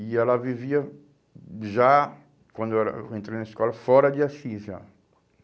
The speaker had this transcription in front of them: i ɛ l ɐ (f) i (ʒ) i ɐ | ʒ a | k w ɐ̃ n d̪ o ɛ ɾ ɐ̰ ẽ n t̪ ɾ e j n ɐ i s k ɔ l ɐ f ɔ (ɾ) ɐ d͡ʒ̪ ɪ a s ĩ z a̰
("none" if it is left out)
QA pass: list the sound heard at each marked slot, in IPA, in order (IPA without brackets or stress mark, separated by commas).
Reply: v, v, ɾ